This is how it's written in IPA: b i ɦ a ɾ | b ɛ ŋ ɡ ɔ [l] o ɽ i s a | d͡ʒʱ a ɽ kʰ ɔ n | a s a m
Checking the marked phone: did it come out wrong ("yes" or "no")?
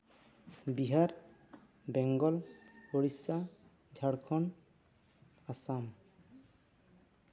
no